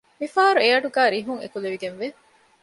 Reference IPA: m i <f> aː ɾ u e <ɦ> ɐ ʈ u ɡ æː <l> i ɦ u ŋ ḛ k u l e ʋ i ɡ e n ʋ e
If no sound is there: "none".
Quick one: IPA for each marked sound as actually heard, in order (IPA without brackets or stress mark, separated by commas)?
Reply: f, none, ɾ